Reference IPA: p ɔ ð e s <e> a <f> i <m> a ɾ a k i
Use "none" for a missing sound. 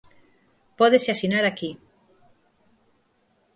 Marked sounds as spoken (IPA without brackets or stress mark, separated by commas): e, s, n